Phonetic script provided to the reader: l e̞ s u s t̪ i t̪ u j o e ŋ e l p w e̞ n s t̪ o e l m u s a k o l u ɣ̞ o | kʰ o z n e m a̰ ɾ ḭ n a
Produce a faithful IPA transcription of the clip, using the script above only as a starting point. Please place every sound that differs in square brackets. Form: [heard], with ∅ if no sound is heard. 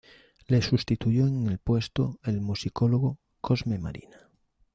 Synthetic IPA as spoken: l e̞ s u s t̪ i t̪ u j o e ŋ e l p w e̞ [∅] s t̪ o e l m u s [i] k o l [o] ɣ̞ o | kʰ o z [m] e m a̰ ɾ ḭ n a